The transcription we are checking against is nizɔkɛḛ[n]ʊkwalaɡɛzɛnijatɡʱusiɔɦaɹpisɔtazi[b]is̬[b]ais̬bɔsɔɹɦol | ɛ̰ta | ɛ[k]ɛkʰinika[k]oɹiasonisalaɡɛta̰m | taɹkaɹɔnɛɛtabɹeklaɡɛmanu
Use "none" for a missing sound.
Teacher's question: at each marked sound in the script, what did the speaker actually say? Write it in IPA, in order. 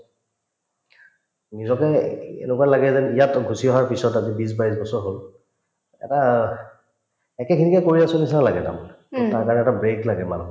n, b, b, k, k

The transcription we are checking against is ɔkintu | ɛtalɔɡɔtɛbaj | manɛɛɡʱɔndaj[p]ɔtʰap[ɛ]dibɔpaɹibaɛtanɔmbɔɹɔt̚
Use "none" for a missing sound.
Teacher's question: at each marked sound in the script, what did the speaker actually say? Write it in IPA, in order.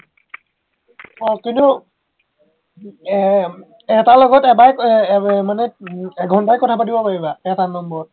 k, a

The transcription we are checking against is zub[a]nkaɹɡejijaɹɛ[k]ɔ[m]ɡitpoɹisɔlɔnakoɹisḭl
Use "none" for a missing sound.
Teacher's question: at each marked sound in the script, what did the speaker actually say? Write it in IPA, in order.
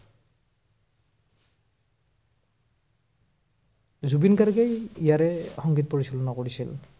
i, x, ŋ

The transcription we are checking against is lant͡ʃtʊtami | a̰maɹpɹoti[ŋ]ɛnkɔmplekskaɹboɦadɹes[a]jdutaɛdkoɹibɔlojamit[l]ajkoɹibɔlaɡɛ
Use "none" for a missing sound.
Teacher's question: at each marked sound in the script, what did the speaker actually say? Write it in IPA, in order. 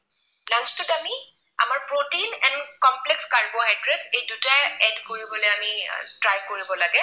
n, e, ɹ

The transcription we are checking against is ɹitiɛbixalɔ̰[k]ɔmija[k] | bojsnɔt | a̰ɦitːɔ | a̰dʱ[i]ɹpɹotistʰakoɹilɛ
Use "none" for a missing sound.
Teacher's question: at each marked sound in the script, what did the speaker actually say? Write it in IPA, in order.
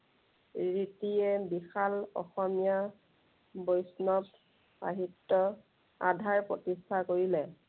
x, none, a

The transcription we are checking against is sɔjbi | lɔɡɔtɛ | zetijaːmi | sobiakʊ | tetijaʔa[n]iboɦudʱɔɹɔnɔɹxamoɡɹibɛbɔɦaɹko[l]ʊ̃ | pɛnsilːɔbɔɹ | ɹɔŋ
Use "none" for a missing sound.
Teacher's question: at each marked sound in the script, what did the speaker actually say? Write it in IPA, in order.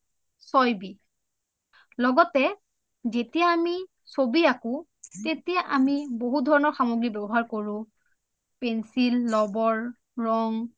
m, ɹ

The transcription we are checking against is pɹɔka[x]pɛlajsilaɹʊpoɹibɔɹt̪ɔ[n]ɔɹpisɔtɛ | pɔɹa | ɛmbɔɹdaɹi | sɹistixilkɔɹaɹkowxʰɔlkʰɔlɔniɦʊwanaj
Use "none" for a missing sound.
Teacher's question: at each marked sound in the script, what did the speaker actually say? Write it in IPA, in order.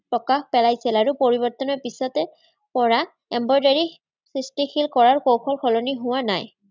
x, n

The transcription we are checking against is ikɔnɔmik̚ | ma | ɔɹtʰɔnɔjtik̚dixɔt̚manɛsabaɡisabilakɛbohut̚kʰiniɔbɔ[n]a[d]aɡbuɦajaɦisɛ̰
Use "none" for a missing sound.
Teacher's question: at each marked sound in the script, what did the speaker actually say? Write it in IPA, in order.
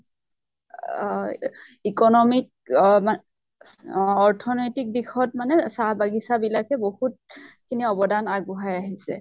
d, n

